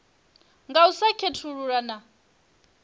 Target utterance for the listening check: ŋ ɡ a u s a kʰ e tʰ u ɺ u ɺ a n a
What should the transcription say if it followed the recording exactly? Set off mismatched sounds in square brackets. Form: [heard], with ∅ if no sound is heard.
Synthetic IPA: ŋ ɡ a u s a kʰ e tʰ u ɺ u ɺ a n a